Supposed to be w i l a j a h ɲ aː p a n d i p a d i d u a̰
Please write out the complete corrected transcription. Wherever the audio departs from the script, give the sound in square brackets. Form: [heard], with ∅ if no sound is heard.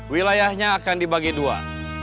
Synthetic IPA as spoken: w i l a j a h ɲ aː [k] a n d i [b] a [ɡ] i d u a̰